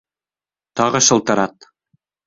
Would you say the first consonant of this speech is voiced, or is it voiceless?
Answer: voiceless